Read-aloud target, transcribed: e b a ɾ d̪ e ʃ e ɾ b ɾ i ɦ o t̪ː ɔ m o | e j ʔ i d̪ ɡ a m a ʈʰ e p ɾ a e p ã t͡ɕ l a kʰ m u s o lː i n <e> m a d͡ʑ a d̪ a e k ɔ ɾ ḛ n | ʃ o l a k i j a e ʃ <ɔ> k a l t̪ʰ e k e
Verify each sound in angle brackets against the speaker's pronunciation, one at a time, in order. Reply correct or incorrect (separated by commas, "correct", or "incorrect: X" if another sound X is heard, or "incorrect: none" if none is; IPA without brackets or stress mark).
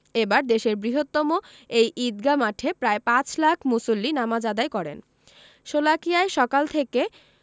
incorrect: a, correct